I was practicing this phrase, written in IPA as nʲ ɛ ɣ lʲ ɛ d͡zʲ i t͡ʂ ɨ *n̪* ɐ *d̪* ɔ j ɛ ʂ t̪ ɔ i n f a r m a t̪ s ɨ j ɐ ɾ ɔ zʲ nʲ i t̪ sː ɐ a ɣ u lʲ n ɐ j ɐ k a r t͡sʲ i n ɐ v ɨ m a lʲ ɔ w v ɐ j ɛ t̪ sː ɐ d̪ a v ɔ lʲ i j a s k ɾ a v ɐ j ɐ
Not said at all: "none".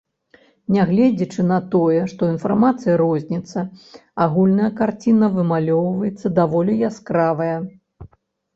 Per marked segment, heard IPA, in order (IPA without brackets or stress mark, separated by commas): n̪, t̪